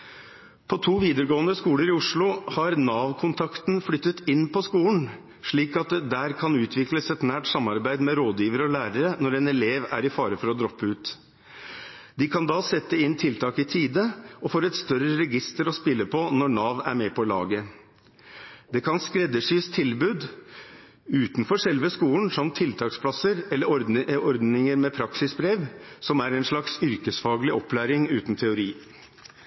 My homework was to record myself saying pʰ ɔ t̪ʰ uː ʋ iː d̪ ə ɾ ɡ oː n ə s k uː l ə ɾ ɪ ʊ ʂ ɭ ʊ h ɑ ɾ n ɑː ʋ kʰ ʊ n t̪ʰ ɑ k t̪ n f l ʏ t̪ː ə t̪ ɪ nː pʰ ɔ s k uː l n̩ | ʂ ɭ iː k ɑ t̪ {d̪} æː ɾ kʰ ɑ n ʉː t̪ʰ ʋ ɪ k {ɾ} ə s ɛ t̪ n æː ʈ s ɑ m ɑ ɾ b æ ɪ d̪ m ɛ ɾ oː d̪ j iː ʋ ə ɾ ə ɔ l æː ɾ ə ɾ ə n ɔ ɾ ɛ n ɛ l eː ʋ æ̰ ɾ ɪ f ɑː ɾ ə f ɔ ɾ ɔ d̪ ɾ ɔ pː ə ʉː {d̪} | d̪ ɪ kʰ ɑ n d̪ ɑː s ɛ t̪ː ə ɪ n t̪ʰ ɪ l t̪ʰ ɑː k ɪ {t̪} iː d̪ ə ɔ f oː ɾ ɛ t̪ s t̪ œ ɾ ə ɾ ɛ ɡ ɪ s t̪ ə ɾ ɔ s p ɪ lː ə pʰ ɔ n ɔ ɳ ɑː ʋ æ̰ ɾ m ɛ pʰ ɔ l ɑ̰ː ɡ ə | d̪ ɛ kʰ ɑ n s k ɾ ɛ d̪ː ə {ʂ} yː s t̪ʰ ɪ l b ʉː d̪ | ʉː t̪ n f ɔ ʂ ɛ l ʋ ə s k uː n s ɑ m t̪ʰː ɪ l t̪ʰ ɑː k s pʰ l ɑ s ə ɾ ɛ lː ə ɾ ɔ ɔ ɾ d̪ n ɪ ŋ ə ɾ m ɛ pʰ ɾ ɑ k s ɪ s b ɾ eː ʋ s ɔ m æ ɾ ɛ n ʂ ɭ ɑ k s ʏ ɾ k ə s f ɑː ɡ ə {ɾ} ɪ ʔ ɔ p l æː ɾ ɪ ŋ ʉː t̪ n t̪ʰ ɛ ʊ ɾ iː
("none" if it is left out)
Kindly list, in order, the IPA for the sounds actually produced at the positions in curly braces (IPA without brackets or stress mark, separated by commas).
d̪, l, t̪, t̪ʰ, ʂ, l